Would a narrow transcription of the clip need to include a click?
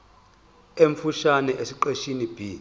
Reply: yes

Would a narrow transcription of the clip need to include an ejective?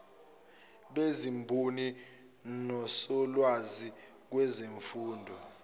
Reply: no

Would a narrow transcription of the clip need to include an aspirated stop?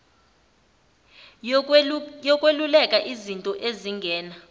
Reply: no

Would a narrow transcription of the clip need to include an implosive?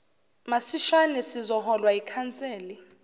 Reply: no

